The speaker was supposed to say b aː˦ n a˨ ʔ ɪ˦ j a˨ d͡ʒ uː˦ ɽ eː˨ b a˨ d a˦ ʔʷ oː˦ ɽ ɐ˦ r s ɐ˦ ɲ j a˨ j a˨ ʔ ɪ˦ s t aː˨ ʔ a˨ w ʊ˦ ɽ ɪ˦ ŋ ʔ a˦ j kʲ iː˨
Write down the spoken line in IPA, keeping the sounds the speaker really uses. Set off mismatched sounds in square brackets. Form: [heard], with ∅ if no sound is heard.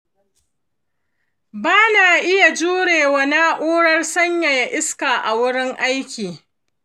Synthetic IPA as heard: b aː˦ n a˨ ʔ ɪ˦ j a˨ d͡ʒ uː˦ ɽ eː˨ [w] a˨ [n] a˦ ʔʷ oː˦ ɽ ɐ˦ r s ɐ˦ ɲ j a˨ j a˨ ʔ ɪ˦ s [k] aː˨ ʔ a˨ w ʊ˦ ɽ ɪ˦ ŋ ʔ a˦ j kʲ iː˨